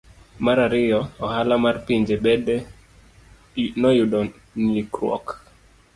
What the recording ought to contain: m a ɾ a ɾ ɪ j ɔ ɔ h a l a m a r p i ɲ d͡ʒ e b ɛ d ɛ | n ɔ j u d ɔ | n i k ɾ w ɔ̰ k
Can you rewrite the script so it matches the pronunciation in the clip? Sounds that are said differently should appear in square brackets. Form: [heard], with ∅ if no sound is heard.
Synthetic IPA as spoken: m a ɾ a ɾ ɪ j ɔ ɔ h a l a m a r p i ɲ d͡ʒ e b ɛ d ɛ | n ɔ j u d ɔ | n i k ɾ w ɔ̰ k